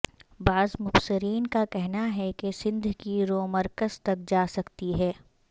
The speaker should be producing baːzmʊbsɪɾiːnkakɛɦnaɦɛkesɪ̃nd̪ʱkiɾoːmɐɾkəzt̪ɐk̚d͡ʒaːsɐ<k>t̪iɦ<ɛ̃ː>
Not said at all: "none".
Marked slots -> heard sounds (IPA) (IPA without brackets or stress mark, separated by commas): k, ɛː